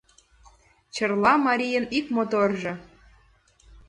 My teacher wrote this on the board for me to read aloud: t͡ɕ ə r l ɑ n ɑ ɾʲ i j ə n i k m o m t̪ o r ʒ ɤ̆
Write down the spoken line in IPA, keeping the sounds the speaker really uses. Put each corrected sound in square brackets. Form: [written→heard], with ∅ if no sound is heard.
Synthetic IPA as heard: t͡ɕ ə r l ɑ [n→m] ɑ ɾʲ i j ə n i k m o [m→∅] t̪ o r ʒ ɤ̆